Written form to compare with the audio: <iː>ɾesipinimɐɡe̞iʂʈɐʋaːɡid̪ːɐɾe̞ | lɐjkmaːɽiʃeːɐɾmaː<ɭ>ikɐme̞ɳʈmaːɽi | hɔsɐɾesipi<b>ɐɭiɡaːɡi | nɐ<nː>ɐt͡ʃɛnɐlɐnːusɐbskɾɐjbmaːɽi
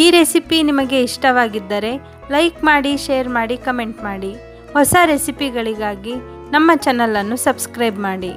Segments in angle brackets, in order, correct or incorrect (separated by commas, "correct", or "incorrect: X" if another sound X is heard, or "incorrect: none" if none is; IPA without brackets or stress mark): correct, incorrect: ɽ, incorrect: ɡ, incorrect: mː